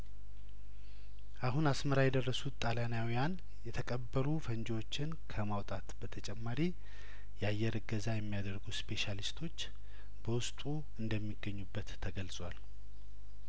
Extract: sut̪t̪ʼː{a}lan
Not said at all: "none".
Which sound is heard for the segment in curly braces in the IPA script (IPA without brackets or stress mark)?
a